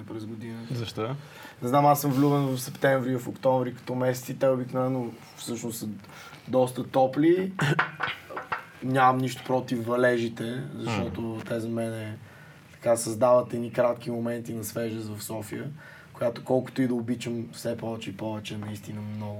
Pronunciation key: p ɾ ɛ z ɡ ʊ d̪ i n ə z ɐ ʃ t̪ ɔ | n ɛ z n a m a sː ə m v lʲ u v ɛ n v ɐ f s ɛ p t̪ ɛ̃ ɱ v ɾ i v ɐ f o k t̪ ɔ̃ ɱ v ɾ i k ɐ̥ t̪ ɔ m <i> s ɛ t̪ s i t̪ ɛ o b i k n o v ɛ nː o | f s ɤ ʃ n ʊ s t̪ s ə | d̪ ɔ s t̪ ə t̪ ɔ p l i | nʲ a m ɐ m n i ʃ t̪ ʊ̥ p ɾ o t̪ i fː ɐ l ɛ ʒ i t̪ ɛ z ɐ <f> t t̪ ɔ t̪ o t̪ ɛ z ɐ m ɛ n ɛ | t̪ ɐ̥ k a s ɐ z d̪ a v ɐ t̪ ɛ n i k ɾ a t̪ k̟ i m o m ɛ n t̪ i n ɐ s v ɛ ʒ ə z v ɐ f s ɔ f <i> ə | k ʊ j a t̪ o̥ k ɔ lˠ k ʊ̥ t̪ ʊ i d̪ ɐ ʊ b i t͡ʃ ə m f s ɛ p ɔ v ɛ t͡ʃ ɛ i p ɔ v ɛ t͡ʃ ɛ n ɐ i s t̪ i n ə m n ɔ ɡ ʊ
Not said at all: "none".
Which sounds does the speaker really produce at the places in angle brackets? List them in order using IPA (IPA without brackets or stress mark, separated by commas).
ɛ, ʃ, i